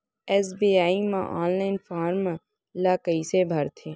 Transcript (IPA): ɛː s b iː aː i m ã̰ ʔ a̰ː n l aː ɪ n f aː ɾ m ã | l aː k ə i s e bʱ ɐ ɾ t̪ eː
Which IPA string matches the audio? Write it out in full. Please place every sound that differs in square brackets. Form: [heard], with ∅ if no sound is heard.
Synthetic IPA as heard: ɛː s b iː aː i m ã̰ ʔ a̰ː n l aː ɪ n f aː ɾ m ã | l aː k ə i s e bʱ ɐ ɾ [t̪ʰ] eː